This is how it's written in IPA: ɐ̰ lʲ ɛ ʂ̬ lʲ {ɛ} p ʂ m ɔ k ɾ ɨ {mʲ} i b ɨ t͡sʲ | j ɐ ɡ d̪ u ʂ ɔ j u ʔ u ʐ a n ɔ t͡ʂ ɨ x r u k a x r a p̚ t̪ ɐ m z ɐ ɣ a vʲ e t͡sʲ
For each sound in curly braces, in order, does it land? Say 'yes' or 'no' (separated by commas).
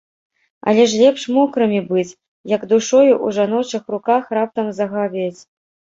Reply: yes, yes